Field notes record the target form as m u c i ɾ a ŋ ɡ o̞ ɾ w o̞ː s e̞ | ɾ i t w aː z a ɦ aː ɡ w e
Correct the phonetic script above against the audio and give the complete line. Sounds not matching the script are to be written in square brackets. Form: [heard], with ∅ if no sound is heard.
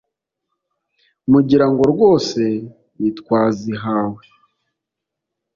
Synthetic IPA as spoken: m u [ɟ] i ɾ a ŋ ɡ o̞ ɾ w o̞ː s e̞ | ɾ i t w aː z [i] ɦ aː [∅] w e